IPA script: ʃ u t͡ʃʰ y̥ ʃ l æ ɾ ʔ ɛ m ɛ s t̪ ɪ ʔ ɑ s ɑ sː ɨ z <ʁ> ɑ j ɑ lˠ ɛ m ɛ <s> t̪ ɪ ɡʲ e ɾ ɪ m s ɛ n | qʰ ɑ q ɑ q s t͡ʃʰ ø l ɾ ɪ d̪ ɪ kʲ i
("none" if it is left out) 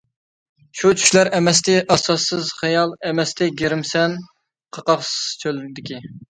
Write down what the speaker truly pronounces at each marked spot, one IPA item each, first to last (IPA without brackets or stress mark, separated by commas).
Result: χ, s